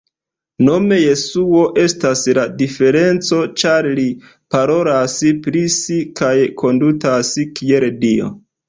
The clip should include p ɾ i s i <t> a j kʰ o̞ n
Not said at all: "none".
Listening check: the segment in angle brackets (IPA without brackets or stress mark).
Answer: k